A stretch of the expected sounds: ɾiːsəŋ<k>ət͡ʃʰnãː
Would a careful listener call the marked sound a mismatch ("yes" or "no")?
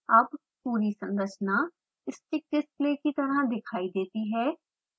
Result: yes